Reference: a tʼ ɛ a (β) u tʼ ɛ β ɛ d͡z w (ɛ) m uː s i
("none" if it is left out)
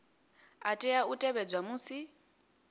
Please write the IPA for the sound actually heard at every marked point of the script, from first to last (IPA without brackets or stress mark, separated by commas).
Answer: none, a